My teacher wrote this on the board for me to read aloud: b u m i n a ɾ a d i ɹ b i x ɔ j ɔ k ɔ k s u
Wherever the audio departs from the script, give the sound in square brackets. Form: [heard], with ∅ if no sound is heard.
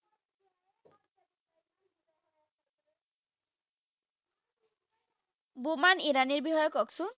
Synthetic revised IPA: b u m [a] n [i] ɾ a [n] i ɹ b i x ɔ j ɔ k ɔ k s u